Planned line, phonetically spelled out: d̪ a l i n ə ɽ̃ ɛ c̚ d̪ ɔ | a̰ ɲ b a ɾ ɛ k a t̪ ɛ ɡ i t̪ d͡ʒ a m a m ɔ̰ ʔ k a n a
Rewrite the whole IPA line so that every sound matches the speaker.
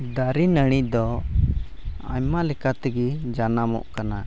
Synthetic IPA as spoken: d̪ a ɾ i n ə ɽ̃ i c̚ d̪ ɔ | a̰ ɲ m a l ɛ k a t̪ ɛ ɡ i d͡ʒ a n a m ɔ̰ ʔ k a n a